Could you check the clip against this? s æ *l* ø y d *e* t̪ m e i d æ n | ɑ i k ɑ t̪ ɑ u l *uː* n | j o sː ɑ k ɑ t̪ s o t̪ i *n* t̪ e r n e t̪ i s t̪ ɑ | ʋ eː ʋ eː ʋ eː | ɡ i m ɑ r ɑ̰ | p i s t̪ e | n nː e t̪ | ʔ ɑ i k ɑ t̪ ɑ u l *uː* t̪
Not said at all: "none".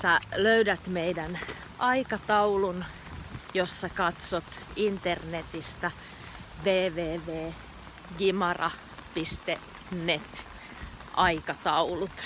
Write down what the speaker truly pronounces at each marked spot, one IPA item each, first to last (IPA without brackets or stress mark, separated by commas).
l, æ, u, n, u